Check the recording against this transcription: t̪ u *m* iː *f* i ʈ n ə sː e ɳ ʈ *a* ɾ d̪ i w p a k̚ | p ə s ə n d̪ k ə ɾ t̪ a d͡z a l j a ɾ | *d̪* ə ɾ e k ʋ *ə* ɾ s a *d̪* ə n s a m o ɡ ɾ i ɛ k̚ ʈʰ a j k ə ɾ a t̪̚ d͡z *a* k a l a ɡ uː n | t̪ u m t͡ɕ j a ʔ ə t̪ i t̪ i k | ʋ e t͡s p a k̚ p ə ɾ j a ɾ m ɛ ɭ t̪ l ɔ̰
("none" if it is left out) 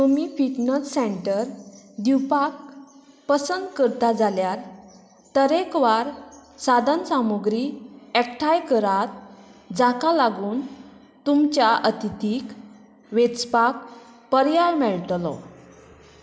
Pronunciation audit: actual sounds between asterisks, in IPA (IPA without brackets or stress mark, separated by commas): m, f, ə, t̪, a, d̪, a